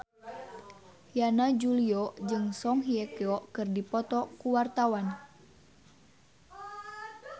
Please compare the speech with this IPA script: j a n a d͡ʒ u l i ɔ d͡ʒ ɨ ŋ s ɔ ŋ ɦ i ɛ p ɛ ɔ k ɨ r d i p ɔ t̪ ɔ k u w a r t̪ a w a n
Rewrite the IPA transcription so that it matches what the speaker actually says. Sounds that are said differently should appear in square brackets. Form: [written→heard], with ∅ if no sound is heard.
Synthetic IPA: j a n a d͡ʒ u l i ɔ d͡ʒ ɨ ŋ s ɔ ŋ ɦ i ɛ [p→k] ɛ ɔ k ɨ r d i p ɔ t̪ ɔ k u w a r t̪ a w a n